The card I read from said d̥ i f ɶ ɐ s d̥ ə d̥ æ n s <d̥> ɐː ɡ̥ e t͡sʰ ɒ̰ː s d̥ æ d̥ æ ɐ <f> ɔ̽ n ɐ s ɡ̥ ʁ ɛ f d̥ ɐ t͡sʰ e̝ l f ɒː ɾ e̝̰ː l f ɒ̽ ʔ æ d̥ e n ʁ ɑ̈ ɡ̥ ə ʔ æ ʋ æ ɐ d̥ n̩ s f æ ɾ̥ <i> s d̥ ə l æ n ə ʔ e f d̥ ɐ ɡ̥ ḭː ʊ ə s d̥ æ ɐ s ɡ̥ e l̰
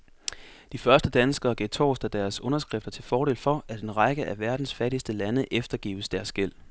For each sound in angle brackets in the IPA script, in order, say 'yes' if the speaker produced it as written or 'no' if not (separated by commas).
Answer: no, no, yes